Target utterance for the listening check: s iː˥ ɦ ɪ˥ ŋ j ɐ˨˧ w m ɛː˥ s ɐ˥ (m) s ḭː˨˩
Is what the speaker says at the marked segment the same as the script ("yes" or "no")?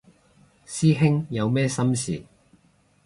yes